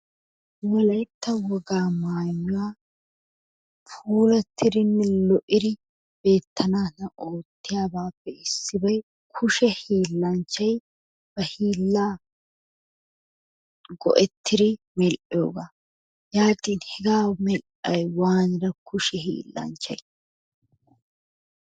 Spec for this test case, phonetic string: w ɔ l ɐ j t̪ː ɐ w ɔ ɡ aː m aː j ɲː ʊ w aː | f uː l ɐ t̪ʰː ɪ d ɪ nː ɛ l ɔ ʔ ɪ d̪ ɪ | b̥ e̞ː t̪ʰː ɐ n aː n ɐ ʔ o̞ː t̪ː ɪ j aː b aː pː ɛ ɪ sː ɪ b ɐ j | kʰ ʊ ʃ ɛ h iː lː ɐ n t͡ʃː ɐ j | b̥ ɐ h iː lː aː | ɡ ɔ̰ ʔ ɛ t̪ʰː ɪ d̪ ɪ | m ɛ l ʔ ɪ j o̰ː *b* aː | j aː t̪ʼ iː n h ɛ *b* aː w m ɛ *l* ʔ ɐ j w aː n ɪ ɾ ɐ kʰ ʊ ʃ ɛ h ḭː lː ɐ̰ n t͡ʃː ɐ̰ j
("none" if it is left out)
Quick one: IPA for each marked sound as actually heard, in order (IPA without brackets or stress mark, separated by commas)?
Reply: ɡ, ɡ, l